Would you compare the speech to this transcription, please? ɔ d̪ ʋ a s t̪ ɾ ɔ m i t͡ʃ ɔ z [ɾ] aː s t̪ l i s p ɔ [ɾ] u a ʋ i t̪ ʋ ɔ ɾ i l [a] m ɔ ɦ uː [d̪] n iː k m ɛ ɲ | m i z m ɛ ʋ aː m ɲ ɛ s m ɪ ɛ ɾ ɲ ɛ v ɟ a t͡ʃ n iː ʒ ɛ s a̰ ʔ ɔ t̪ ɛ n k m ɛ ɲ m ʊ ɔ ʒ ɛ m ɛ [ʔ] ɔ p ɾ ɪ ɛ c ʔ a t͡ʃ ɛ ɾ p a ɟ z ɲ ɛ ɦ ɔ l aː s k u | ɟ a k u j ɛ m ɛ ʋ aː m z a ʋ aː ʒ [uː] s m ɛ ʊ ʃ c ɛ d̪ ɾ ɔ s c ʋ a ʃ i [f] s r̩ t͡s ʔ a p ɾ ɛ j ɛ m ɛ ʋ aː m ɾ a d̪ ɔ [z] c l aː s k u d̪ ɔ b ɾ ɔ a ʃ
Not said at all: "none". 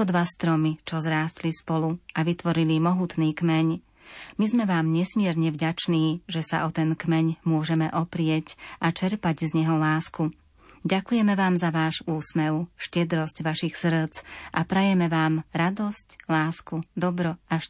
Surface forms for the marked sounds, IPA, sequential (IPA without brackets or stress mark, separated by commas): ɾ, l, i, t̪, ʔ, uː, x, s